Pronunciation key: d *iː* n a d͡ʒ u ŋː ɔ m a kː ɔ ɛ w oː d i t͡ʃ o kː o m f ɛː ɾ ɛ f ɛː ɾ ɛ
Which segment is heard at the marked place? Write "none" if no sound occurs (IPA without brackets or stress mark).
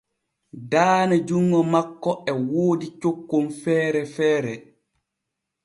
aː